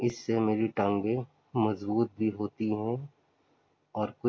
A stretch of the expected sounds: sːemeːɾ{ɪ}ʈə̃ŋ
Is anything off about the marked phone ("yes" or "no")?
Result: yes